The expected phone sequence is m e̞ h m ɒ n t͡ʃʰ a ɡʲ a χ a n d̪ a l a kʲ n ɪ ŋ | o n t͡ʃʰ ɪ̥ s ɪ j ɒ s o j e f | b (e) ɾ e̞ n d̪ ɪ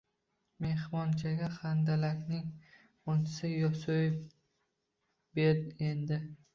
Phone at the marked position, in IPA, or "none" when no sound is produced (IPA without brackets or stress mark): e